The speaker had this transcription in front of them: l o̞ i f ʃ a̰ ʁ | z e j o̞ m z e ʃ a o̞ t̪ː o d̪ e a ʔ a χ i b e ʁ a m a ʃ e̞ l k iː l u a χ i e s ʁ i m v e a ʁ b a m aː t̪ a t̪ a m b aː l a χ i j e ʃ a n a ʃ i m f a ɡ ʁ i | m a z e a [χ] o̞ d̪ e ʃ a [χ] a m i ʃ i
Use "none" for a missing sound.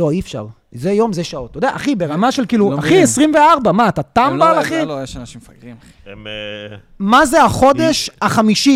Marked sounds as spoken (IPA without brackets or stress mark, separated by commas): χ, χ